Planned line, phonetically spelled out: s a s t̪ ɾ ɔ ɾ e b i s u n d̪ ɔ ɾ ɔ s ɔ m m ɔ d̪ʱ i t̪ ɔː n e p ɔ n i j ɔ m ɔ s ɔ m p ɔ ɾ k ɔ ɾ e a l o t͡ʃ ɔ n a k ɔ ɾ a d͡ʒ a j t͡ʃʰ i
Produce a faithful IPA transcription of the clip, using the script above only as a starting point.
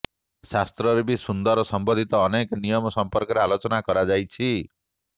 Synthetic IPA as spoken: s a s t̪ ɾ ɔ ɾ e b i s u n d̪ ɔ ɾ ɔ s ɔ m b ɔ d̪ʱ i t̪ ɔː n e k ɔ n i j ɔ m ɔ s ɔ m p ɔ ɾ k ɔ ɾ e a l o t͡ʃ ɔ n a k ɔ ɾ a d͡ʒ a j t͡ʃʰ i